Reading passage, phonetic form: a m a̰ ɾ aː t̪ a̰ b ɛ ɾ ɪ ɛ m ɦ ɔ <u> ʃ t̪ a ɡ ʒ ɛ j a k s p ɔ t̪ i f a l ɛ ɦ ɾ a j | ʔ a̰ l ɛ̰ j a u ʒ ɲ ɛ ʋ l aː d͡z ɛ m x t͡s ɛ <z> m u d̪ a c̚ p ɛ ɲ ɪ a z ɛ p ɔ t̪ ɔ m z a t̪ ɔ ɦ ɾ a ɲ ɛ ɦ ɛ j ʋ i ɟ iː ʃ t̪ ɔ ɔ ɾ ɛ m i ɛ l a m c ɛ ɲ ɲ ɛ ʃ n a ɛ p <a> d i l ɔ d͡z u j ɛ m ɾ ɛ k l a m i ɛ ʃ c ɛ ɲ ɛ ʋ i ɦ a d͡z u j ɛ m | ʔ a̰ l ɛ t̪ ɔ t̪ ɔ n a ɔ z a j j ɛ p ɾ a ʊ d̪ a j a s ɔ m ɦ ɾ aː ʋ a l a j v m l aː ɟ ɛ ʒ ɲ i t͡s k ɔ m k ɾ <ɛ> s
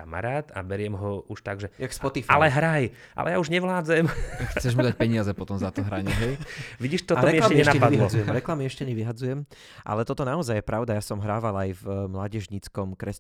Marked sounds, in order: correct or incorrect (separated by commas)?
correct, incorrect, correct, correct